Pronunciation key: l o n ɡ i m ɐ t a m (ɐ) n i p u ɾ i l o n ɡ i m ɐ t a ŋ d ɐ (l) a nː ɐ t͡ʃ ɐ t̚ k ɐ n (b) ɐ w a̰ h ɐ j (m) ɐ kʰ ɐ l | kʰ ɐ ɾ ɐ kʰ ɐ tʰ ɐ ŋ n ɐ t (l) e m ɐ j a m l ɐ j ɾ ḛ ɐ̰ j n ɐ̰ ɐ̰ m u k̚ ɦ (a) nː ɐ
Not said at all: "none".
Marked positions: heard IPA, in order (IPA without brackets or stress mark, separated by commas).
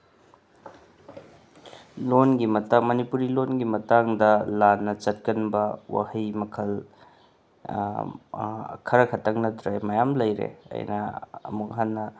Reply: ɐ, l, b, m, ɾ, a